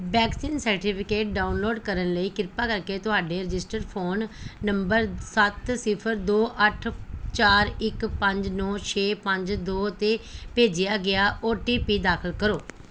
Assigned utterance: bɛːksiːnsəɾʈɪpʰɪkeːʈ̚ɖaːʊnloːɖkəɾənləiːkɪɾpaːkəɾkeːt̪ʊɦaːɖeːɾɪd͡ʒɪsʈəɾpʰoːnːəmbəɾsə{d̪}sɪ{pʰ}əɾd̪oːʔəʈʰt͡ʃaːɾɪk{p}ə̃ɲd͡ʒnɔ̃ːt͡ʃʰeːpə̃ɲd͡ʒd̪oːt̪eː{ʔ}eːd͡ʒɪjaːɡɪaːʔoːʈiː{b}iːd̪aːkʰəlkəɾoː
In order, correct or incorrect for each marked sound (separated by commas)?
incorrect, correct, correct, incorrect, incorrect